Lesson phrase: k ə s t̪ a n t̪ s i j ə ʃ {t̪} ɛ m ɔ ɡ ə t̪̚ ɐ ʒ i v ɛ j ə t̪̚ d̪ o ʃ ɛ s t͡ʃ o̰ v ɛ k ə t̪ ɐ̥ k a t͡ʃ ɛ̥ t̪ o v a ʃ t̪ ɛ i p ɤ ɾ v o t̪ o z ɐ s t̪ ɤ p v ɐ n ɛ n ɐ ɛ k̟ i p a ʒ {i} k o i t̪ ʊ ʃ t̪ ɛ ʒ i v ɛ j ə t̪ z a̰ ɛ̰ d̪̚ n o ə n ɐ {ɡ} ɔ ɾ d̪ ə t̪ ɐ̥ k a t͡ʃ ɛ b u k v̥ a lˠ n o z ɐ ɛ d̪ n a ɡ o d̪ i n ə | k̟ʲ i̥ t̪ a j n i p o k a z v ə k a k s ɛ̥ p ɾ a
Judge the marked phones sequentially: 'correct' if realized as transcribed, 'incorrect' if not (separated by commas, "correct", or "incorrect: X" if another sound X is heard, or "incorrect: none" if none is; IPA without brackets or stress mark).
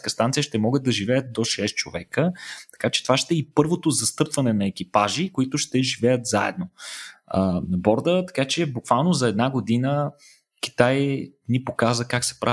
correct, correct, incorrect: b